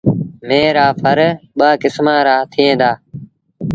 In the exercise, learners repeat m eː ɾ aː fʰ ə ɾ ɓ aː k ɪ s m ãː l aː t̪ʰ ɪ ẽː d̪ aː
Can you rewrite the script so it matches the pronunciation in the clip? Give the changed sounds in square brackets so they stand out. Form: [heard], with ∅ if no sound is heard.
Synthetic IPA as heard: m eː ɾ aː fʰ ə ɾ ɓ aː k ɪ s m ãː [ɾ] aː t̪ʰ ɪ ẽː d̪ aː